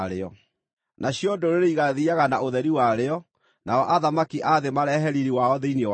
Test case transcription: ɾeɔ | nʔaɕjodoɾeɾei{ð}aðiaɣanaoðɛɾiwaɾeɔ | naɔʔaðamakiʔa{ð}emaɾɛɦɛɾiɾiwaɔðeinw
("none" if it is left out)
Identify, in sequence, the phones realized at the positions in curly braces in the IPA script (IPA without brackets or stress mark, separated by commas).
ɣ, ð